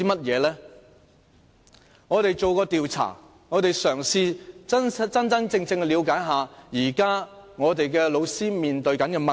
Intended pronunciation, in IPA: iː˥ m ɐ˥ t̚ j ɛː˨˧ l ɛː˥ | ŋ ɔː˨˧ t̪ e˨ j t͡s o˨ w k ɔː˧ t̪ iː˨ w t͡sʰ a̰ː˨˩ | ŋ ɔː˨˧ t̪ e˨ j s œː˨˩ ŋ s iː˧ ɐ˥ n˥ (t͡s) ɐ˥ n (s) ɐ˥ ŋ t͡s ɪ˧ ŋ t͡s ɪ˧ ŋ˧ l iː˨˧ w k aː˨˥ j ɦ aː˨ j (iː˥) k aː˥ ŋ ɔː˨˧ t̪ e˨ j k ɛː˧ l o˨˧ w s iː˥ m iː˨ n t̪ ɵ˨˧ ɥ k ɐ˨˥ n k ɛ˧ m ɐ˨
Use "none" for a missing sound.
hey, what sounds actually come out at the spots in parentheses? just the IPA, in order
t͡s, t͡s, iː˨˩

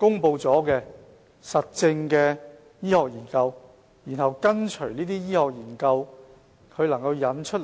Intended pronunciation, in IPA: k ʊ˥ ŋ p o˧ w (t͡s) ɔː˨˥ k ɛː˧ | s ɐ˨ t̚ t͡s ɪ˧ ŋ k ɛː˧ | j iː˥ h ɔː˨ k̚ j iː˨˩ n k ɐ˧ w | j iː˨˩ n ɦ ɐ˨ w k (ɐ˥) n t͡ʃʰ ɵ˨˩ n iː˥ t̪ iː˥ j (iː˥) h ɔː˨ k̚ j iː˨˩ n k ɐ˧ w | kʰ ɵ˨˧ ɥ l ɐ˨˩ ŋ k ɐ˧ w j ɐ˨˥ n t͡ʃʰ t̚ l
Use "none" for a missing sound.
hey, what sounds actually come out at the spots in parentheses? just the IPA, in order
t͡s, ɐ˥, iː˥

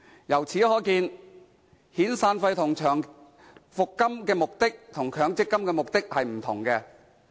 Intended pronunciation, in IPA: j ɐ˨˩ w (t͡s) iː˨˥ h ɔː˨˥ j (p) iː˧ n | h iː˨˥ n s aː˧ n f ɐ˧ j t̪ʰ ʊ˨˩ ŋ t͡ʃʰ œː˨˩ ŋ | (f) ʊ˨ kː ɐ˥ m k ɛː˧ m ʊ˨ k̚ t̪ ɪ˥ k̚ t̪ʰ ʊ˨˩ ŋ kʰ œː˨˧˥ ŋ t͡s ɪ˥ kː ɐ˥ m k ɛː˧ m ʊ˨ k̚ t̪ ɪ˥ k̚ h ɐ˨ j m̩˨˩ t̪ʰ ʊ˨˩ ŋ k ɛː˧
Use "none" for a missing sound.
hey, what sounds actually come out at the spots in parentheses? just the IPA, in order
t͡sʰ, k, f

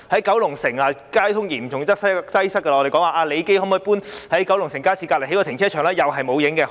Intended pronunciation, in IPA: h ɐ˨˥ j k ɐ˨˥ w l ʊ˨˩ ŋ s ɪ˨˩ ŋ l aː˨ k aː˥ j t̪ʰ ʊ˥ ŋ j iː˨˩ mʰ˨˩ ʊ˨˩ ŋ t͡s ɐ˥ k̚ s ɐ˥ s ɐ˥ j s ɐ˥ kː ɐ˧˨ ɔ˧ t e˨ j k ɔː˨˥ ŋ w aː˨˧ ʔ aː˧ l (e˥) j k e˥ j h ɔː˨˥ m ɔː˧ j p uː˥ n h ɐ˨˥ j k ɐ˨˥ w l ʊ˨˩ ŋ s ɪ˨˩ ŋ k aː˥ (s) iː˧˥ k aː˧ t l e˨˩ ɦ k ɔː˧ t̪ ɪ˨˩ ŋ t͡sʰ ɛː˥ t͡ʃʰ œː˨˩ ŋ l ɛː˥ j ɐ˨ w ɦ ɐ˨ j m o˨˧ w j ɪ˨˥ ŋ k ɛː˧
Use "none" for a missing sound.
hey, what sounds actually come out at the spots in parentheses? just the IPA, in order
e˨˧, s

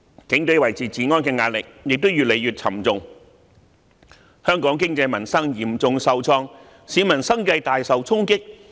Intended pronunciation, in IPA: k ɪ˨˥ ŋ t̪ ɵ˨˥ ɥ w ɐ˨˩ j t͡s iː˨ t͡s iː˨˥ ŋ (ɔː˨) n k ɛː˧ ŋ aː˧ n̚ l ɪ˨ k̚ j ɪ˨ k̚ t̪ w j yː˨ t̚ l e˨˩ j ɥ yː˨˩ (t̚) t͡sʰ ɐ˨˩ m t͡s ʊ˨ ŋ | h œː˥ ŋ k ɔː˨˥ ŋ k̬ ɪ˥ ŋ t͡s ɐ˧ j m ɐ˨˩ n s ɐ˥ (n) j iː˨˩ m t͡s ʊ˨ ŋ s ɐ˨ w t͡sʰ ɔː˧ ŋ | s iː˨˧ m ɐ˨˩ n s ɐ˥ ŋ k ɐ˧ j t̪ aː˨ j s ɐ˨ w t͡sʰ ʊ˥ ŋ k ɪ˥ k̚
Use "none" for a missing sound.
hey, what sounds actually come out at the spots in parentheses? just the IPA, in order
ɔː˥, t̚, ŋ

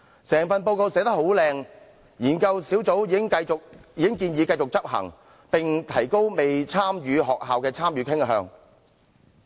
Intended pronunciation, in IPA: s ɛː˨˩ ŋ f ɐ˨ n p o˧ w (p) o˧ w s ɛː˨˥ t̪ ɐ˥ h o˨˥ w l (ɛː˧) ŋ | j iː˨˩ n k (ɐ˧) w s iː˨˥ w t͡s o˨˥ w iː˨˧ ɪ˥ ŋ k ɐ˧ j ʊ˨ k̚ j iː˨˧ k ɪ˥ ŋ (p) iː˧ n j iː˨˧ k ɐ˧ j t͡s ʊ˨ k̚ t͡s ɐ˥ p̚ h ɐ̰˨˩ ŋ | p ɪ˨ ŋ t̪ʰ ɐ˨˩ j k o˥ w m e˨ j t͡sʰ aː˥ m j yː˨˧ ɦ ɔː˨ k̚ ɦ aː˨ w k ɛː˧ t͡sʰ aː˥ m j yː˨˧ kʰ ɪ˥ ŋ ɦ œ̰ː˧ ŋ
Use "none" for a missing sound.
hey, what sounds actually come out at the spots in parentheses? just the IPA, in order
k, ɛː˧, ɐ˧, k

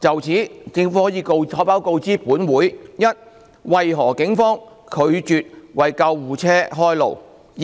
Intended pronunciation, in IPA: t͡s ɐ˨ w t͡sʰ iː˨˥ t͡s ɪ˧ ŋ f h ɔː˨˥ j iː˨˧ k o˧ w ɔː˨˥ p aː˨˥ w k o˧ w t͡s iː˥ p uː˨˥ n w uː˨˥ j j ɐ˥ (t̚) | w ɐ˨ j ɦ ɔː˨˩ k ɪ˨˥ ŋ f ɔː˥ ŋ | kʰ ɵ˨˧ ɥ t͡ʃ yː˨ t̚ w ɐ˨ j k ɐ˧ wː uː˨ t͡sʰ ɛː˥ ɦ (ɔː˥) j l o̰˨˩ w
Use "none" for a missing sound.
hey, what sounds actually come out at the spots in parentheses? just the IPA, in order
t̚, ɔː˥

